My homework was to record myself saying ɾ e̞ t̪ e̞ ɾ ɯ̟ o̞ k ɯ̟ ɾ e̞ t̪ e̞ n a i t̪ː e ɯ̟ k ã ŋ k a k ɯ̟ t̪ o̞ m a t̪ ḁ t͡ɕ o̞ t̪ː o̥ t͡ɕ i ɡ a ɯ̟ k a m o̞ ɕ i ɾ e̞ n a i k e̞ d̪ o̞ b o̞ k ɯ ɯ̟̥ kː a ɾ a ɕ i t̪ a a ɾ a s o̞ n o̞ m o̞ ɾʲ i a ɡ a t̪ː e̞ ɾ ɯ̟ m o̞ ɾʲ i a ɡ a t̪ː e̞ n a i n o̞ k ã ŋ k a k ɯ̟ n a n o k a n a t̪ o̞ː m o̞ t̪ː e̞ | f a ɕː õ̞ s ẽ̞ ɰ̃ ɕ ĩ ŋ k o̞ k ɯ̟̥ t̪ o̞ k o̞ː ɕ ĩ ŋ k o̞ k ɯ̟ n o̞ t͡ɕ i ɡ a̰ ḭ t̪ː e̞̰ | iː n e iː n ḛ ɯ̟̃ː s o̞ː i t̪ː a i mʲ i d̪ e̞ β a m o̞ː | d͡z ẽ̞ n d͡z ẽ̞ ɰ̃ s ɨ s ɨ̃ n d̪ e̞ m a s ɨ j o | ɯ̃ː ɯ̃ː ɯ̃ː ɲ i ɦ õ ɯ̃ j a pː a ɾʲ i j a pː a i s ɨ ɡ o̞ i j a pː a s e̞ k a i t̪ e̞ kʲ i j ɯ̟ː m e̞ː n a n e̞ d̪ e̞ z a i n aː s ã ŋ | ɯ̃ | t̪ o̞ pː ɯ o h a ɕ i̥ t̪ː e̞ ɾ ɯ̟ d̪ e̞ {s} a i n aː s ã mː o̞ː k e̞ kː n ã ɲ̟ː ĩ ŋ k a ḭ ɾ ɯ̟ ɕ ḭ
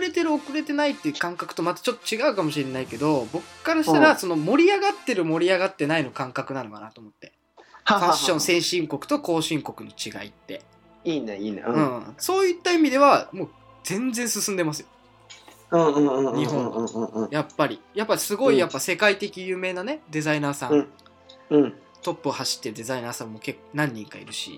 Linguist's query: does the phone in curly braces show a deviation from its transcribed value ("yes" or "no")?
yes